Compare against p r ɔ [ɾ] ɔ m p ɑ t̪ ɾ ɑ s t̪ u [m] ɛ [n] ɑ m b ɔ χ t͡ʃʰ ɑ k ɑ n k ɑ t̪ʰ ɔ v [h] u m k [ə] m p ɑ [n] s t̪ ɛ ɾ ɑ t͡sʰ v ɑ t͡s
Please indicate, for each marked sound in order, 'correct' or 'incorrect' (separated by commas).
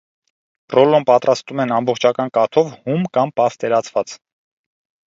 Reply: incorrect, correct, correct, correct, incorrect, incorrect